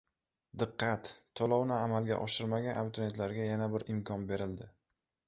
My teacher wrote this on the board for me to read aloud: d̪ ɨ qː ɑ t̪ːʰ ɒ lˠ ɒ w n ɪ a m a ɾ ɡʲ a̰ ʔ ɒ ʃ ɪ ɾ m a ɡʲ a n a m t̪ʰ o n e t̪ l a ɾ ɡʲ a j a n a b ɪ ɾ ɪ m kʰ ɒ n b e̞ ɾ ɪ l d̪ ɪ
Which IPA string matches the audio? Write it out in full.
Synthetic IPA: d̪ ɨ qː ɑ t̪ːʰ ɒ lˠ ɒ w n ɪ a m a l ɡʲ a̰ ʔ ɒ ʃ ɪ ɾ m a ɡʲ a n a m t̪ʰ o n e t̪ l a ɾ ɡʲ a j a n a b ɪ ɾ ɪ m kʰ ɒ n b e̞ ɾ ɪ l d̪ ɪ